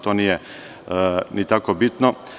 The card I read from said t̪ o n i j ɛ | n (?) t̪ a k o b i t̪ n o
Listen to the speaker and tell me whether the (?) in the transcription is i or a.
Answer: i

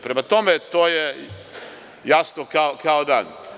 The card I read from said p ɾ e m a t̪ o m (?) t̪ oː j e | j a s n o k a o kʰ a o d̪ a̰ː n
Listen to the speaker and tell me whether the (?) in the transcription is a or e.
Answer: e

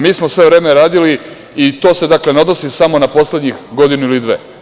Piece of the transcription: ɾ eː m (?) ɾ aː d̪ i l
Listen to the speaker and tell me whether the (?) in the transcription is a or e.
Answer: e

